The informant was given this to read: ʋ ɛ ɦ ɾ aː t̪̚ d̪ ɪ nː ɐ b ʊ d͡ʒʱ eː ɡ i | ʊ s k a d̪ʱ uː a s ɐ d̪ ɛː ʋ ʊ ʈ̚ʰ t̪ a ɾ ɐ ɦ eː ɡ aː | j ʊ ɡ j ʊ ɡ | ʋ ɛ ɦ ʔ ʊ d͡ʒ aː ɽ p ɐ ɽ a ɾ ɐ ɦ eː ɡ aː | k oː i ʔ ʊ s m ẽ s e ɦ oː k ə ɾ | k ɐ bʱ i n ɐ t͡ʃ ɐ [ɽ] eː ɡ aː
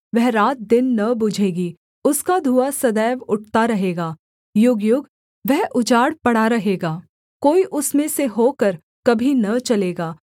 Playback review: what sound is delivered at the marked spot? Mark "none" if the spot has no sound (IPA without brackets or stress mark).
l